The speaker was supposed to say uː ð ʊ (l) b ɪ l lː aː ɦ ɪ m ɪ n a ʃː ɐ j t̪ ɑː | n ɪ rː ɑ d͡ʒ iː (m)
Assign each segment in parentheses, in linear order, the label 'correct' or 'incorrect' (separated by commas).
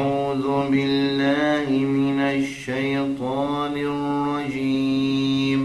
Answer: incorrect, correct